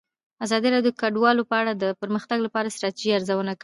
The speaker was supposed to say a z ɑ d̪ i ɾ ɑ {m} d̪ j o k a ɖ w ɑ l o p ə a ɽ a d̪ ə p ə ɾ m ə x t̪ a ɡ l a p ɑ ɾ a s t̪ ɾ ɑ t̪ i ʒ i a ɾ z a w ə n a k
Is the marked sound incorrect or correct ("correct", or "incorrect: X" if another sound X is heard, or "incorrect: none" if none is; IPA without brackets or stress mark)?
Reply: incorrect: none